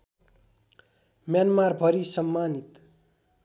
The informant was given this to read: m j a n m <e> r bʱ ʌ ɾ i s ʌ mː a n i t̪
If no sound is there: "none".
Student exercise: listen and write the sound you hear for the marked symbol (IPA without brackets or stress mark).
a